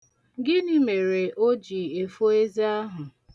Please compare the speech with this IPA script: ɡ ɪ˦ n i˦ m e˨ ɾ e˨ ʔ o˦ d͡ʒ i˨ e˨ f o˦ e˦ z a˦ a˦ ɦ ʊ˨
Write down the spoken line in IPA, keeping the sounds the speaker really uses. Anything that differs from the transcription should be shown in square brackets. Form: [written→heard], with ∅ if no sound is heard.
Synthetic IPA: ɡ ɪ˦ n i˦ m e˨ ɾ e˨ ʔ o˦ d͡ʒ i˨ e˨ f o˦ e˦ z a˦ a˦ ɦ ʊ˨